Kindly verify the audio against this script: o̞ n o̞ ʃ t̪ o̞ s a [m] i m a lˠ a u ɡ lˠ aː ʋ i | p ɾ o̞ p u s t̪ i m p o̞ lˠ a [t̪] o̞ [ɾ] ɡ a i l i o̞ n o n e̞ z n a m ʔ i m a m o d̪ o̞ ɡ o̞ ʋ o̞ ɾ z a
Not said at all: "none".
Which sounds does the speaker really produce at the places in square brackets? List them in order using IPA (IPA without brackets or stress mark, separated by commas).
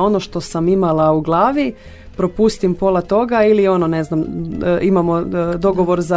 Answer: m, t̪, none